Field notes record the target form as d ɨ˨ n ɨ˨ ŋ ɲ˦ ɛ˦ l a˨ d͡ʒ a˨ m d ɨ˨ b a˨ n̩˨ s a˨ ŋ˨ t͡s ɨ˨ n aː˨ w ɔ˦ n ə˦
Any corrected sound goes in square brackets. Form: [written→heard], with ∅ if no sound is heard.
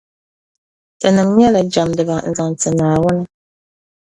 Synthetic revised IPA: [d→t] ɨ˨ n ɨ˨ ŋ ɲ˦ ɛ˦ l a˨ d͡ʒ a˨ m d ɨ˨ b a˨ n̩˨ [s→z] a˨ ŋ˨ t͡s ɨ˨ n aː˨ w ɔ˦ n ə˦